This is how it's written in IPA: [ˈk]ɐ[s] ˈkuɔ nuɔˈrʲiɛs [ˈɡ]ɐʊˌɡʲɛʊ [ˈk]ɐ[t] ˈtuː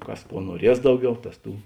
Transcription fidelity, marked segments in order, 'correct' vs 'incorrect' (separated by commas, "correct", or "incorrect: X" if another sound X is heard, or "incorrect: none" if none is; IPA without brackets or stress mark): correct, correct, incorrect: d, incorrect: t, incorrect: s